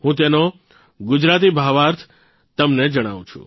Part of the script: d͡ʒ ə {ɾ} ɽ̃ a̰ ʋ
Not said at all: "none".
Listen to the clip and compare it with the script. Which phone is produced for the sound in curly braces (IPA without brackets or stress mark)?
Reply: none